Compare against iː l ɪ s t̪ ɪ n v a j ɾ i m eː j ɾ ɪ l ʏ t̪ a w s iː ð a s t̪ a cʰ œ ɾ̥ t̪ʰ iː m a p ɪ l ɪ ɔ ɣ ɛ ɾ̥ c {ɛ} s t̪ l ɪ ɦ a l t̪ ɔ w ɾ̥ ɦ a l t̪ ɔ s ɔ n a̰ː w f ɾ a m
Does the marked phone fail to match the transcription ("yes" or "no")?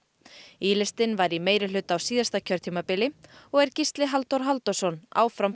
yes